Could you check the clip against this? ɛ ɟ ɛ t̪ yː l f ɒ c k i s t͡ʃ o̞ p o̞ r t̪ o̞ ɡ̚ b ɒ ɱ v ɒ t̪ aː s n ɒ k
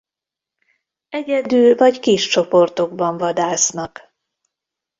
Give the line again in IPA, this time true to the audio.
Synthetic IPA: ɛ ɟ ɛ d̪ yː l v ɒ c k i ʃ t͡ʃ o̞ p o̞ r t̪ o̞ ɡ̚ b ɒ ɱ v ɒ d̪ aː s n ɒ k